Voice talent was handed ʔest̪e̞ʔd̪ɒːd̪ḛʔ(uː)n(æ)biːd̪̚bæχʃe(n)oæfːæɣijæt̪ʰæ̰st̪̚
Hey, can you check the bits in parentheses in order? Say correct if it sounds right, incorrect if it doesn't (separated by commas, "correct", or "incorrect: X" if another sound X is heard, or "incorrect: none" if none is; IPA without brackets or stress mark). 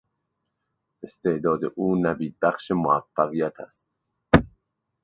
correct, correct, incorrect: m